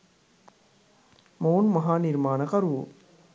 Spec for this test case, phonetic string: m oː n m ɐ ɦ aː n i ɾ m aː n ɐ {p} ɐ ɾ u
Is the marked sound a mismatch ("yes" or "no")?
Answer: yes